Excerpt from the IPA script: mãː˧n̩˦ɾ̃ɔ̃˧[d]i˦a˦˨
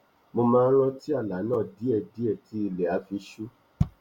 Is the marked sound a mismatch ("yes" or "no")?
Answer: yes